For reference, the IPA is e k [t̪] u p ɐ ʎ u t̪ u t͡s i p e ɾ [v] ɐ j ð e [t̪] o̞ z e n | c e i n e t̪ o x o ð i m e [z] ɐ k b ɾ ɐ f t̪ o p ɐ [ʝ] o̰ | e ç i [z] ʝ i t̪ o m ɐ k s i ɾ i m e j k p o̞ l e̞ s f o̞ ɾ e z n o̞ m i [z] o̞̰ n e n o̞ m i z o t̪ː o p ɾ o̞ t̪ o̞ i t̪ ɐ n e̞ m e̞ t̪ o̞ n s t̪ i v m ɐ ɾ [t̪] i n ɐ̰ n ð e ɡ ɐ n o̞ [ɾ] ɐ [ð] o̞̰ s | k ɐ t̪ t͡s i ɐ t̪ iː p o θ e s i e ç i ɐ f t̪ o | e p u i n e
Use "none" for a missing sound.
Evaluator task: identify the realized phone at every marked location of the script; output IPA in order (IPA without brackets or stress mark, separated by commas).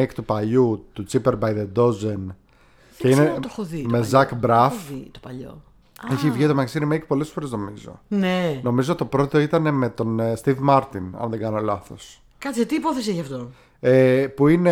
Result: t̪, b, d̪, z, ʎ, v, z, t̪, l, θ